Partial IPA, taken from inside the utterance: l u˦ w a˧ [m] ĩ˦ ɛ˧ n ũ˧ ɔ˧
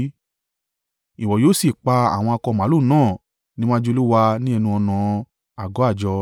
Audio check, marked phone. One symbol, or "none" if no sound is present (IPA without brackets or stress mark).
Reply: n